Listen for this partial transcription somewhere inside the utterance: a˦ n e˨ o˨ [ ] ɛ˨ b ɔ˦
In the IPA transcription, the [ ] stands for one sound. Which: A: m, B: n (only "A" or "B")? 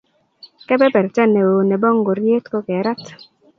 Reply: B